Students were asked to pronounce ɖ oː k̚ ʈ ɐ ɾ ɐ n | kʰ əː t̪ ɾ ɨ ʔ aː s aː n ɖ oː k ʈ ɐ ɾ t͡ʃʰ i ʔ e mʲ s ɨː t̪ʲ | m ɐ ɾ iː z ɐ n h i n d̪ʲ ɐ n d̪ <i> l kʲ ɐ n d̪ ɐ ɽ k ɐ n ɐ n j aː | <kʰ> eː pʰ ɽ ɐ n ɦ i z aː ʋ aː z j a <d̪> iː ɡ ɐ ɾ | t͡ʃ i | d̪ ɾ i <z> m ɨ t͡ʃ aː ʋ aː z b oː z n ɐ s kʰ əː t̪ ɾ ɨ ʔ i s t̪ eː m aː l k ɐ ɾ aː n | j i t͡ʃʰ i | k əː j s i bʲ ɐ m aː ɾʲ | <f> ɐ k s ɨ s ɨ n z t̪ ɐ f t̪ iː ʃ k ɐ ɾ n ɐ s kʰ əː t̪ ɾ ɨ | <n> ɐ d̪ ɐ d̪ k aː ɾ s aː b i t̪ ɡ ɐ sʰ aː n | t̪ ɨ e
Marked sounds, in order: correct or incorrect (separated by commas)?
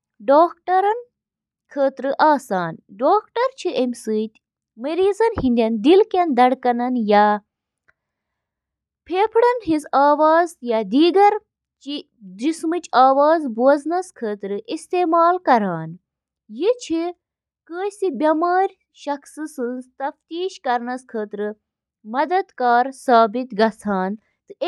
correct, incorrect, correct, incorrect, incorrect, incorrect